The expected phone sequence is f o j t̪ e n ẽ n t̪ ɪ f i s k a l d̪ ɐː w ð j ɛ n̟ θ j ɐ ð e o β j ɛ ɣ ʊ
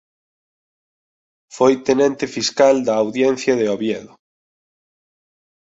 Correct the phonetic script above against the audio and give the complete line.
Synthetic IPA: f o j t̪ e n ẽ n t̪ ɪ f i s k a l d̪ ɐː w ð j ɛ n̟ θ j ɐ ð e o β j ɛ ð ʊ